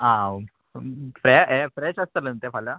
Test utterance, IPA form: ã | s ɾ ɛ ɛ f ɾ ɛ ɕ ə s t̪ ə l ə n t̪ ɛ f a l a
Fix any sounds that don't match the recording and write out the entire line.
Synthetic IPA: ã | f ɾ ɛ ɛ f ɾ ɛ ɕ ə s t̪ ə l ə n t̪ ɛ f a l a